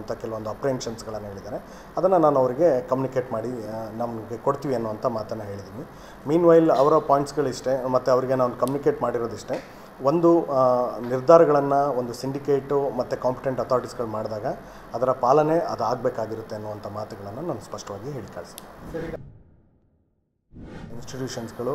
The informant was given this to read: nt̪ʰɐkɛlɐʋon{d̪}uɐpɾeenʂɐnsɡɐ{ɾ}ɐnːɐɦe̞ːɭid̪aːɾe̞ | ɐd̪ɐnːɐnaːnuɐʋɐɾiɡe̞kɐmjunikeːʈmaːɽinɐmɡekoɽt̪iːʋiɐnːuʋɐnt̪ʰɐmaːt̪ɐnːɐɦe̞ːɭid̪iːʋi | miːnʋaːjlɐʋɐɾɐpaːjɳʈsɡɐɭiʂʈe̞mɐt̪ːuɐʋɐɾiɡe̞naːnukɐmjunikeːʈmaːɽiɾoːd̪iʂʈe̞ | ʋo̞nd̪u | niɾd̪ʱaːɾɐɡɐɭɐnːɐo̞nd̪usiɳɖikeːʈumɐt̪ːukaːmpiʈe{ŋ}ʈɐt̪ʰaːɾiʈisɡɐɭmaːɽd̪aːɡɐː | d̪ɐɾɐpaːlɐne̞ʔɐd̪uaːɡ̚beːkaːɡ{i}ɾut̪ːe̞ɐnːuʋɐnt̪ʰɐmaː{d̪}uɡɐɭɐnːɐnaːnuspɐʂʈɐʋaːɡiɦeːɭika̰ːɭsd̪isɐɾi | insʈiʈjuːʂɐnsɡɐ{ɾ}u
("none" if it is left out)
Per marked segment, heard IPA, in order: d̪, ɭ, ɳ, i, t̪, ɭ

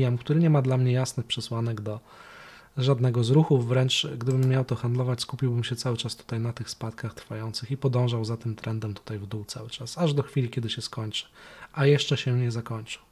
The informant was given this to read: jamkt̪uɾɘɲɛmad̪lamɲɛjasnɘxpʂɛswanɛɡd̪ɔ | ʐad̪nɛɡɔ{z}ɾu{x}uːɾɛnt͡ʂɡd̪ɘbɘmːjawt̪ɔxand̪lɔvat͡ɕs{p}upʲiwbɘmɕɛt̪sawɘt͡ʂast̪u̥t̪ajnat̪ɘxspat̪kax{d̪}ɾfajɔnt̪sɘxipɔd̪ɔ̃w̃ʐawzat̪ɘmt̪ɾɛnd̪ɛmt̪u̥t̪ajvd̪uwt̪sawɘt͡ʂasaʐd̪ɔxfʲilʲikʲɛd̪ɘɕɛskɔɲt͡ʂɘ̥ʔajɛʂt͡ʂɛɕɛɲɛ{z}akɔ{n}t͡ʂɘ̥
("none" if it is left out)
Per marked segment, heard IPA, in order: z, x, k, t̪, z, ɲ

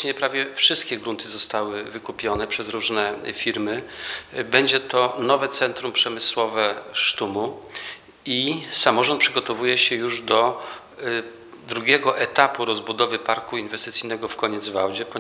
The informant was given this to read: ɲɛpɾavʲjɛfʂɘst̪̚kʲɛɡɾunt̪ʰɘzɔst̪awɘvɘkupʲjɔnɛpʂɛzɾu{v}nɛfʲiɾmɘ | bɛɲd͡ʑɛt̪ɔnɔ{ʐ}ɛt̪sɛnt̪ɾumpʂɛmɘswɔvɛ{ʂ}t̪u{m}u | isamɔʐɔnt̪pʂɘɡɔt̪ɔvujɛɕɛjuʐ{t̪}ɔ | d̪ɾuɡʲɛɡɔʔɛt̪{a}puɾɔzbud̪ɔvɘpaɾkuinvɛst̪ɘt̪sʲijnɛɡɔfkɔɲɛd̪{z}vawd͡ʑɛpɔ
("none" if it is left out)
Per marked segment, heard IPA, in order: ʐ, v, ʂ, m, d̪, a, z

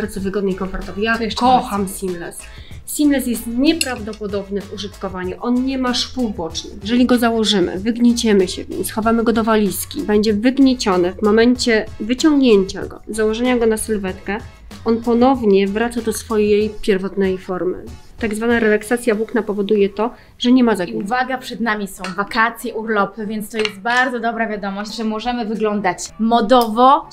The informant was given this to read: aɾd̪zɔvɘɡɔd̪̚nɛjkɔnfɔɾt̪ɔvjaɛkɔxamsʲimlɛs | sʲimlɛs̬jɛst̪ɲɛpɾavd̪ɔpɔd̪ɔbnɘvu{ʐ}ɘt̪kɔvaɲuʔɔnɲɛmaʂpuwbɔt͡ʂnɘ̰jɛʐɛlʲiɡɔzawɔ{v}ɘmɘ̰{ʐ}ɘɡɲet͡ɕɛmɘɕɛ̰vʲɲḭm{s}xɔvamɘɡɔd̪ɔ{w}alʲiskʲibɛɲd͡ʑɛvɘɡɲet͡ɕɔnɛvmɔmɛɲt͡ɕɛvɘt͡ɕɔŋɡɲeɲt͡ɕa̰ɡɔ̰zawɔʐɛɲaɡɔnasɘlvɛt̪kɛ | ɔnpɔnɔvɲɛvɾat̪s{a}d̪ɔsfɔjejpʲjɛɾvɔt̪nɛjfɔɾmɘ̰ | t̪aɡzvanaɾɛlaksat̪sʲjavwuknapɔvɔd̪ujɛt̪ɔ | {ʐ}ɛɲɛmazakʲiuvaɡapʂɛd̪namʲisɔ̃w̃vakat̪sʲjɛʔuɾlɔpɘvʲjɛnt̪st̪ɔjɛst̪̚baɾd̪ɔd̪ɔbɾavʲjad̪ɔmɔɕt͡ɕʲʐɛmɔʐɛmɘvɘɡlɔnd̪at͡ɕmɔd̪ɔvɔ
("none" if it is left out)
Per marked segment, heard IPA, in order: ʐ, ʐ, v, s, v, a, ʐ

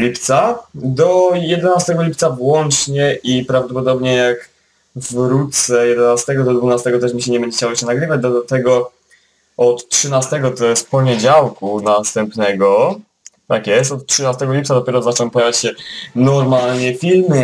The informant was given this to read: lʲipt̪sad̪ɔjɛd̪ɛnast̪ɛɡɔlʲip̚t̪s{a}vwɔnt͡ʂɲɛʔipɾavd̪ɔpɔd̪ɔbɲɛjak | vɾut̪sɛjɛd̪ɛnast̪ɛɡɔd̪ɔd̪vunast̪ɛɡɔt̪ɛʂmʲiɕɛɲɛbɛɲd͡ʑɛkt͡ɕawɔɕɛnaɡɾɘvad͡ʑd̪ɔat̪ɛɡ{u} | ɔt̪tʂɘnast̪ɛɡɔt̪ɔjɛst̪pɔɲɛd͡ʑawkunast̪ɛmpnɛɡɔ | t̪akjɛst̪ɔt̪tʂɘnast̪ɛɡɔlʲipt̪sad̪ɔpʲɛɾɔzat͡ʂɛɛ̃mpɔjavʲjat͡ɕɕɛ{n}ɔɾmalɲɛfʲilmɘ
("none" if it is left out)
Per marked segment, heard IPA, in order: a, ɔ, n

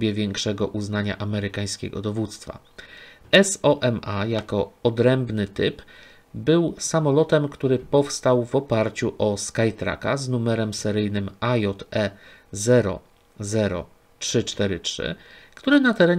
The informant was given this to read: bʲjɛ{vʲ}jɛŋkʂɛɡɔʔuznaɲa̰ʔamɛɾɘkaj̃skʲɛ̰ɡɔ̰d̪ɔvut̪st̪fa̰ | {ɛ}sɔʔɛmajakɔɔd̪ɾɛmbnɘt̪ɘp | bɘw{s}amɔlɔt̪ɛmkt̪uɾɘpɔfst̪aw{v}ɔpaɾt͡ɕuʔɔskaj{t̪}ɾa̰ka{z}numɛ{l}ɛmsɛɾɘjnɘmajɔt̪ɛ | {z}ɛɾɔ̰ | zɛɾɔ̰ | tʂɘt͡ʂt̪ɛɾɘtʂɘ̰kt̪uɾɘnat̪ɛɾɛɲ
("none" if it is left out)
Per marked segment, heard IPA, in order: vʲ, ɛ, s, v, t̪, z, ɾ, z

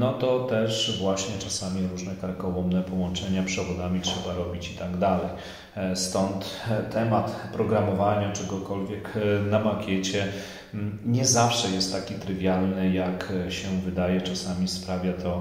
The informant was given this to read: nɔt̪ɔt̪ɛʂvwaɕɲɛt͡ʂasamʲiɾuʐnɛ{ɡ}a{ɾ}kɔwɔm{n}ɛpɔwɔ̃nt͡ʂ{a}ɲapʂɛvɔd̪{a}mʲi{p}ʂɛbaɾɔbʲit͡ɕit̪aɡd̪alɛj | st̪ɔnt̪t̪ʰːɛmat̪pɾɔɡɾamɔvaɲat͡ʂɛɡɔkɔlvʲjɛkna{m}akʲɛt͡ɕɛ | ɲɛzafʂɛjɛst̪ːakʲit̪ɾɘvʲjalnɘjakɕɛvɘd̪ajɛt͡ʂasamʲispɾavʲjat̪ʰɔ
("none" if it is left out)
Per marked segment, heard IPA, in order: k, ɾ, n, ɛ, a, t, m

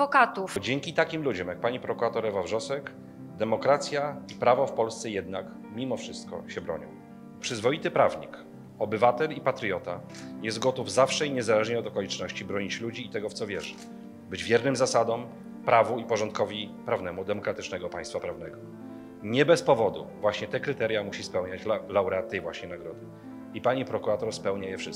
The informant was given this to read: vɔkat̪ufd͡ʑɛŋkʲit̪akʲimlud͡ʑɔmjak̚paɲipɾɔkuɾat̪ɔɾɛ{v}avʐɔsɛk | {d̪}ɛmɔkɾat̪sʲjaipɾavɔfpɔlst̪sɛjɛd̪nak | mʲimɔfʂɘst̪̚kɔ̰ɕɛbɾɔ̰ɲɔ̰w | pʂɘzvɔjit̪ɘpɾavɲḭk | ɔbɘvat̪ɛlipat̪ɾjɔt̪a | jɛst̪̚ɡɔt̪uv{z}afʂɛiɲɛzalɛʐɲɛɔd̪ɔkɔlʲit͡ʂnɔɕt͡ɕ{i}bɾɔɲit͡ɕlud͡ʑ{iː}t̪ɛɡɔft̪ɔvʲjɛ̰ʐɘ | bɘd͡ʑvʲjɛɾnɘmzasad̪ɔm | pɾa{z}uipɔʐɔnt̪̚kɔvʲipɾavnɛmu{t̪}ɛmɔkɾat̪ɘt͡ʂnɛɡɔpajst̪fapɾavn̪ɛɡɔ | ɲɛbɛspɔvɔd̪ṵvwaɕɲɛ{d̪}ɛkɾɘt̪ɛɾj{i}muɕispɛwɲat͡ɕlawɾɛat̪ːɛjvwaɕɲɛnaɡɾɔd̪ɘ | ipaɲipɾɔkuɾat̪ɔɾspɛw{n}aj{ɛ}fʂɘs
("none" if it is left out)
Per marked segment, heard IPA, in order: v, d̪, z, i, iː, v, d̪, t̪, a, ɲ, ɛ

